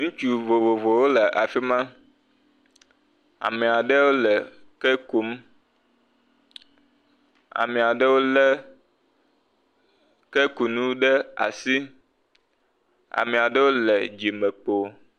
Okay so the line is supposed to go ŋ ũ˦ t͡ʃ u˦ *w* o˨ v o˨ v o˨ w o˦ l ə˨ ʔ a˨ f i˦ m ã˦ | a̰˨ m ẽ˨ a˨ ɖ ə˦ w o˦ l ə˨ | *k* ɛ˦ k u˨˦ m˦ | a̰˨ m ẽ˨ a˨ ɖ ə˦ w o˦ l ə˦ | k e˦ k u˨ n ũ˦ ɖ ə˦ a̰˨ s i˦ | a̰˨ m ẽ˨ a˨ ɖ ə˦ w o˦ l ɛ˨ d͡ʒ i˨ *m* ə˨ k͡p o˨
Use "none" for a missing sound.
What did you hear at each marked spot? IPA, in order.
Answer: v, k, m

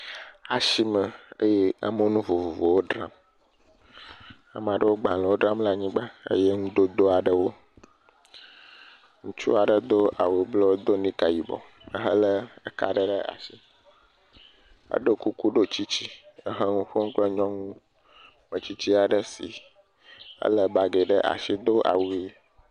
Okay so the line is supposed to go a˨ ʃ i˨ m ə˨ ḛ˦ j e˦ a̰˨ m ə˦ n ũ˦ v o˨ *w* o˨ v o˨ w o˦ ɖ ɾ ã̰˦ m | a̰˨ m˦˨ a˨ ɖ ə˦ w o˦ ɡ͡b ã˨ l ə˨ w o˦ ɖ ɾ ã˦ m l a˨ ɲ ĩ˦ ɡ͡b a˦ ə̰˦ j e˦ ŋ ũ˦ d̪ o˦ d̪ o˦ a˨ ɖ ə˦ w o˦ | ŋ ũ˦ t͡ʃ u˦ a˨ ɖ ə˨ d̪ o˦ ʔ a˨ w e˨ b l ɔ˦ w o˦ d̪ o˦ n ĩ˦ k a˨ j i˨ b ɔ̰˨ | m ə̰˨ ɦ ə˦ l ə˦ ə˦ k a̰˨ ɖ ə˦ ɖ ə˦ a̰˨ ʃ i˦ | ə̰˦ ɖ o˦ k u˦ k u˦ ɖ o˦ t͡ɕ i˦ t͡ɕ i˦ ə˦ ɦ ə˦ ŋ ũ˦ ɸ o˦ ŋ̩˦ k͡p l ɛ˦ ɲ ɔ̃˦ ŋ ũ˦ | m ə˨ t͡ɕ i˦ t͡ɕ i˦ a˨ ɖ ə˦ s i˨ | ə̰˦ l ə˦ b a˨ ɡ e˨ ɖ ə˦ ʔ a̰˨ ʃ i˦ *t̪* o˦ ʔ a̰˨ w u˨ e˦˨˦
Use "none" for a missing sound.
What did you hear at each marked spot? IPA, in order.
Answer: v, d̪

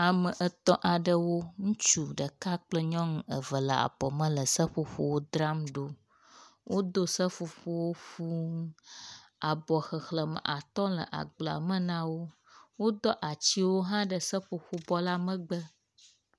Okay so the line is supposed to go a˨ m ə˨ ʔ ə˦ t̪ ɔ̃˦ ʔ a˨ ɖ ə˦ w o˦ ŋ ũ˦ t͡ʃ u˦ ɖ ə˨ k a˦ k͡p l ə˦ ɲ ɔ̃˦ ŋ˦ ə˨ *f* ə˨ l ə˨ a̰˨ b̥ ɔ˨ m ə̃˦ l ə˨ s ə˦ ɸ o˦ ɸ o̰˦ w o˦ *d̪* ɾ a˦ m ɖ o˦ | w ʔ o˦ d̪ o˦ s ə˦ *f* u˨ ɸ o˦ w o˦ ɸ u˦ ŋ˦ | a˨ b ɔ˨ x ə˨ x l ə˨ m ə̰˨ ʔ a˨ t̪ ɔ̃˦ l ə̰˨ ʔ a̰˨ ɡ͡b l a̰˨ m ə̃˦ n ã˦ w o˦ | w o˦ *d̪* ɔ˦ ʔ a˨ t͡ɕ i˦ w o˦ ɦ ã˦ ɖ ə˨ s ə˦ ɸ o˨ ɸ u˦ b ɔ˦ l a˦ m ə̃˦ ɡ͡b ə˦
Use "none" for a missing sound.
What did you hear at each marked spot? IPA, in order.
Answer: v, d̪, f, d̪

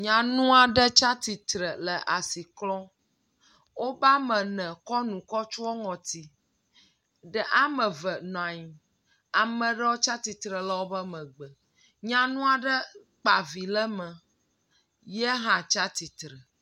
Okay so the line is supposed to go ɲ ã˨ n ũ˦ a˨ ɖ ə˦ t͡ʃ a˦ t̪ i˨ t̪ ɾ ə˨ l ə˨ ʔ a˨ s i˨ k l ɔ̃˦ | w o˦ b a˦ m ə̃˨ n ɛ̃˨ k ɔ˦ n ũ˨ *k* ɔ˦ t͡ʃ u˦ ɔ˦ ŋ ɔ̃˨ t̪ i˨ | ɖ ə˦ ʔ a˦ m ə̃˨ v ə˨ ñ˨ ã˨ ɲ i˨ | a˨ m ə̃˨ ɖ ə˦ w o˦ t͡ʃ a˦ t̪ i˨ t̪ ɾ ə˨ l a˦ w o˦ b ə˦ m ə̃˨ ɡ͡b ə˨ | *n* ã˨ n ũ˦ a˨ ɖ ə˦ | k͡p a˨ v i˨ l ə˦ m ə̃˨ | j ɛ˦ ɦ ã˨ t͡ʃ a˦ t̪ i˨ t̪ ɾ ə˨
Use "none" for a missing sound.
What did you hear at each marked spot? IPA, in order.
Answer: k, ɲ

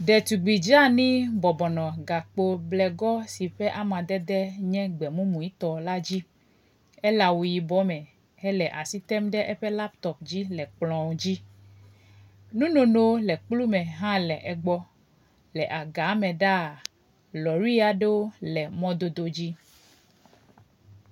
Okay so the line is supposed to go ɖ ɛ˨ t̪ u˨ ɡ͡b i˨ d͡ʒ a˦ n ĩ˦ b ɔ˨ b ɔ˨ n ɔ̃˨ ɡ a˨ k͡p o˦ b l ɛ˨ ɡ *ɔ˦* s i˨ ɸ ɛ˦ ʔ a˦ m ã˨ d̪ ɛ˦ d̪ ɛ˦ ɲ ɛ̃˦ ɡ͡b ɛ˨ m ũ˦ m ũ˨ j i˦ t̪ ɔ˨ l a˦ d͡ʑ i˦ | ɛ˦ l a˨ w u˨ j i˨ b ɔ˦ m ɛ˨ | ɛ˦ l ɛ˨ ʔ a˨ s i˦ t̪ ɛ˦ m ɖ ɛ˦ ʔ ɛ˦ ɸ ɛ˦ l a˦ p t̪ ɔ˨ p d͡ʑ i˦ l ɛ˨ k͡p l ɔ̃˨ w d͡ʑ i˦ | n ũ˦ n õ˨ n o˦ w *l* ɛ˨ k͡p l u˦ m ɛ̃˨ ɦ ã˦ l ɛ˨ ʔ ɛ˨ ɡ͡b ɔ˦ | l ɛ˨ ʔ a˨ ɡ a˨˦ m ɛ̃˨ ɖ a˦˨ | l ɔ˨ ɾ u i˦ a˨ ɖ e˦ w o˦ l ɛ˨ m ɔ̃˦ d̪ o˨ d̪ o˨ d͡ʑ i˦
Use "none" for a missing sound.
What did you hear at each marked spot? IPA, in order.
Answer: ɔ˦, l

